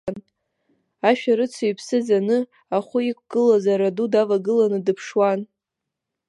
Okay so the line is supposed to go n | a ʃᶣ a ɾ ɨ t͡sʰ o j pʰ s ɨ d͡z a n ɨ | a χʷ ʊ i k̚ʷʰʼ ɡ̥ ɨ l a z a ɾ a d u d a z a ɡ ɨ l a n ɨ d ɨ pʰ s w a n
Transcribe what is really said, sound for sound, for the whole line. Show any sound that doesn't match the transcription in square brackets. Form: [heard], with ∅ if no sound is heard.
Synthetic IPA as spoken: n | a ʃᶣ a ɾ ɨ t͡sʰ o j pʰ s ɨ d͡z a n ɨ | a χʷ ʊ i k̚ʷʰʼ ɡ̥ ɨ l a z a ɾ a d u d a [v] a ɡ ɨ l a n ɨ d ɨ pʰ [ʂ] w a n